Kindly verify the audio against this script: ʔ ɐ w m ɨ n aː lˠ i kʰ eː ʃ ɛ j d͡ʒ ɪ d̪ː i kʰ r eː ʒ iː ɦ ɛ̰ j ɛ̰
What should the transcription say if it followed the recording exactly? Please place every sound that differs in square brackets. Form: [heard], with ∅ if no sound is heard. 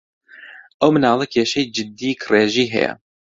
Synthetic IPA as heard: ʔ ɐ w m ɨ n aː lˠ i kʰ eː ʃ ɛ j d͡ʒ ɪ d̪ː i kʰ r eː ʒ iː ɦ ɛ̰ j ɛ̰